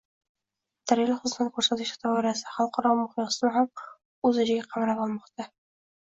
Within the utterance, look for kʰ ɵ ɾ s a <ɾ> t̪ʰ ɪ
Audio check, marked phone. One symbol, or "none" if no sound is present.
none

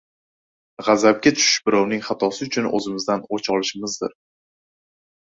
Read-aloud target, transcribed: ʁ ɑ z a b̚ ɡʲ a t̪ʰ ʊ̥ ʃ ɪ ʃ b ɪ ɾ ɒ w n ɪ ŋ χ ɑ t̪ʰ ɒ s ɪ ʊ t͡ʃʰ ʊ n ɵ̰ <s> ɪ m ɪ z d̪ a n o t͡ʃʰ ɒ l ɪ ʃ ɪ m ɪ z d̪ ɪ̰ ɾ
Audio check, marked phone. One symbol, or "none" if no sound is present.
z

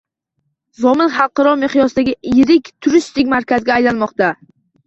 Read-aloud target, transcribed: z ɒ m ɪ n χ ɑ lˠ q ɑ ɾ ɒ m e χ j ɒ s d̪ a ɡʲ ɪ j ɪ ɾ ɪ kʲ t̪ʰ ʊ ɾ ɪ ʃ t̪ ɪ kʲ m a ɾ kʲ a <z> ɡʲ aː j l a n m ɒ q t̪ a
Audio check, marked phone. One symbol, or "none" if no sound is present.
z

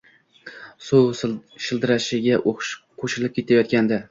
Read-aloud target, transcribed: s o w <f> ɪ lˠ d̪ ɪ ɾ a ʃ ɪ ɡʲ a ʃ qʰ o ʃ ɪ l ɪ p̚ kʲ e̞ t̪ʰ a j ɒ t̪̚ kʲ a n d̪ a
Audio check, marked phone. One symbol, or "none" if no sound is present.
ʃ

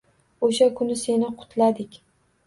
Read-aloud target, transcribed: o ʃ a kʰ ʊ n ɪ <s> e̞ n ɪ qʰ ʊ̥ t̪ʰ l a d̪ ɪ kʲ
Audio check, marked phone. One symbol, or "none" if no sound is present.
s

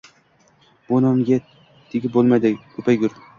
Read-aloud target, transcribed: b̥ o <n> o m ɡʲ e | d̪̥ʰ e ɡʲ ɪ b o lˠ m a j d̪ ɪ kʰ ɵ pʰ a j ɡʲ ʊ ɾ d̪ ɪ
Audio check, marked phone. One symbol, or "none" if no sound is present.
n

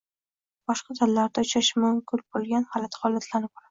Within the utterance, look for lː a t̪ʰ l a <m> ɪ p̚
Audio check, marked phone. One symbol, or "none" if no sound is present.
n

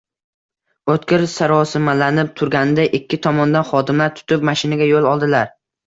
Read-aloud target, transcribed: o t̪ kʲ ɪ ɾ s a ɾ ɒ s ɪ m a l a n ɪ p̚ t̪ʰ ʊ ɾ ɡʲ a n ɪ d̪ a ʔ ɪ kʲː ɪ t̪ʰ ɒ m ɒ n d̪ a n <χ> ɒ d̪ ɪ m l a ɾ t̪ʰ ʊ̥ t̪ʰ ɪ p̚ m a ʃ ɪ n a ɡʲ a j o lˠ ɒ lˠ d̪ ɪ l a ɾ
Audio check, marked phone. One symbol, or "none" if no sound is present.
χ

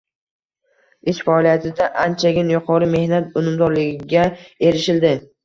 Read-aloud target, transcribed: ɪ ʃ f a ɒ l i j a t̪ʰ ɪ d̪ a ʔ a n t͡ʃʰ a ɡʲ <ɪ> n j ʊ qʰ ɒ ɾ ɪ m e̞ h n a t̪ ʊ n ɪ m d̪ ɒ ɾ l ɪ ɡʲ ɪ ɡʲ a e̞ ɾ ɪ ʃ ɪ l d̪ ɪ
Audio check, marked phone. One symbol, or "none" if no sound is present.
ɪ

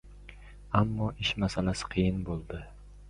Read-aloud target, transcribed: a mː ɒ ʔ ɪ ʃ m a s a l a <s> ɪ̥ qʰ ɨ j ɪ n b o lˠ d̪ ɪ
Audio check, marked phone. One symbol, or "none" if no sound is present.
s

